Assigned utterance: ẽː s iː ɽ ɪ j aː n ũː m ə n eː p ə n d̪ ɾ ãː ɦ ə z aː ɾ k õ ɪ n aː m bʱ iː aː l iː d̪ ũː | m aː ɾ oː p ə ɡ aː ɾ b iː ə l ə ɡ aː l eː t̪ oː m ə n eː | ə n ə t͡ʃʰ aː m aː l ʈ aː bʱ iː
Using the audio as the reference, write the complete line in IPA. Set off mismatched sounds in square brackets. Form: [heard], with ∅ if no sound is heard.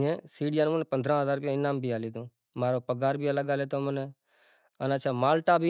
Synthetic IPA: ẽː s iː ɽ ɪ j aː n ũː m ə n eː p ə n d̪ ɾ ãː ɦ ə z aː ɾ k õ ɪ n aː m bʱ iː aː l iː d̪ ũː | m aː ɾ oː p ə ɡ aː ɾ b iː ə l ə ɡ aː l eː t̪ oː m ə n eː | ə n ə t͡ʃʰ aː m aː l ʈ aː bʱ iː